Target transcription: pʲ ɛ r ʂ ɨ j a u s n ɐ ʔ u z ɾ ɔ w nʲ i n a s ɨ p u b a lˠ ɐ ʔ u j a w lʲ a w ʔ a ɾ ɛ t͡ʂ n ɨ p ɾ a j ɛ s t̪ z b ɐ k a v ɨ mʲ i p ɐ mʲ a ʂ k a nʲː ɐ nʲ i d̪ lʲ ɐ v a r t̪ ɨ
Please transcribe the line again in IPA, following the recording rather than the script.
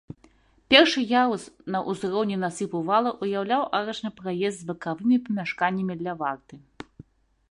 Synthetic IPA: pʲ ɛ r ʂ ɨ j a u s n ɐ ʔ u z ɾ ɔ w nʲ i n a s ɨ p u v a lˠ ɐ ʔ u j a w lʲ a w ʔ a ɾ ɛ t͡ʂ n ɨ p ɾ a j ɛ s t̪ z b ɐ k a v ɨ mʲ i p ɐ mʲ a ʂ k a nʲː ɐ mʲ i d̪ lʲ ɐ v a r t̪ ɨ